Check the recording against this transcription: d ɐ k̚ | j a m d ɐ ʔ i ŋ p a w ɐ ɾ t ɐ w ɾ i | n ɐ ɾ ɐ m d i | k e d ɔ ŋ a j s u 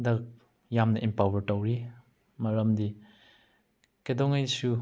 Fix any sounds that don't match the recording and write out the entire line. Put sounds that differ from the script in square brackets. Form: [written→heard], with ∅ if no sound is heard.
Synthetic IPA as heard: d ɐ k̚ | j a m [d→n] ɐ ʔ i [ŋ→m] p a w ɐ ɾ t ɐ w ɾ i | [n→m] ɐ ɾ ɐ m d i | k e d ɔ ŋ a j s u